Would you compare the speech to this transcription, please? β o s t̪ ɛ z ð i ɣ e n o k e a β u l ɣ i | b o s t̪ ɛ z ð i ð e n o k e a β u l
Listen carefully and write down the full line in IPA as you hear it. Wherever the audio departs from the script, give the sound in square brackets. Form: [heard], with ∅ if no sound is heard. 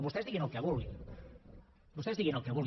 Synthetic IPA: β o s t̪ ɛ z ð i ɣ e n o k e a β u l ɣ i | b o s t̪ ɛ z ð i [ɣ] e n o k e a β u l